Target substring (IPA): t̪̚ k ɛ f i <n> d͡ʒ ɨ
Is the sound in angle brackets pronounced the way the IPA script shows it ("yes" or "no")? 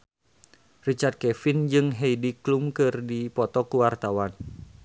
yes